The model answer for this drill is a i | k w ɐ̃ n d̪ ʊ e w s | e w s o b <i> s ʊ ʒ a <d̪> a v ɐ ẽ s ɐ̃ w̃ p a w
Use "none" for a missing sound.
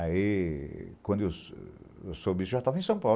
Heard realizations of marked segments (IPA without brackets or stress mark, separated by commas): i, t̪